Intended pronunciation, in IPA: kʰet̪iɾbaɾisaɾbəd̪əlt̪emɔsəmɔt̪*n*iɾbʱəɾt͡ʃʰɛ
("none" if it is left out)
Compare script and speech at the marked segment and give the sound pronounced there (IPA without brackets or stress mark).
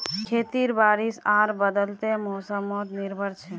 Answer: n